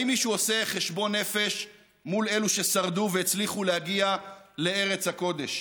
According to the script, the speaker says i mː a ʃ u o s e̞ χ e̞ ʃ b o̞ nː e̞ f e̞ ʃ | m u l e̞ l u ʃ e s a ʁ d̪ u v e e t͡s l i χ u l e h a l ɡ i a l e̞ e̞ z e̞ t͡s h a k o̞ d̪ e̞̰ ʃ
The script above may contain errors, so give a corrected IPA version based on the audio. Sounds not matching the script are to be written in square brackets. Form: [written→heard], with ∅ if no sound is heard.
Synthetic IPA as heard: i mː [a→i] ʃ u o s e̞ χ e̞ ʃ b o̞ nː e̞ f e̞ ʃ | m u l e̞ l u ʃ e s a ʁ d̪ u v e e t͡s l i χ u l e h a [l→∅] ɡ i a l e̞ e̞ [z→ʁ] e̞ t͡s h a k o̞ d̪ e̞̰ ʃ